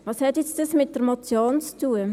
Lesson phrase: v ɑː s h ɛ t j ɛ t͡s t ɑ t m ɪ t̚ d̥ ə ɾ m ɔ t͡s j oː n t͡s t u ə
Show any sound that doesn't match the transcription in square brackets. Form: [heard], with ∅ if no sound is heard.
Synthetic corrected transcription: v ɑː s h ɛ t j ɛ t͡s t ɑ [s] m ɪ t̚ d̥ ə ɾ m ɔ t͡s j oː n t͡s t u ə